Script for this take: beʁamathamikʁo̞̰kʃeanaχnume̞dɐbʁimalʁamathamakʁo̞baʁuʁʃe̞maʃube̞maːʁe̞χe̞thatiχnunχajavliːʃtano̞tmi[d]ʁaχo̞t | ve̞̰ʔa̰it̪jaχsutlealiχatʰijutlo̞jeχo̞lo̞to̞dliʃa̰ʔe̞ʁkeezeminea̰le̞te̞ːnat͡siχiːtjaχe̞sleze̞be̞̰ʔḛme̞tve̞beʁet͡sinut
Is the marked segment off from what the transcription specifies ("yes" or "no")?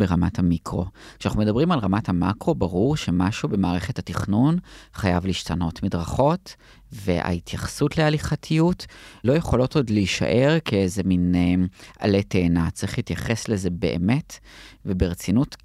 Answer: no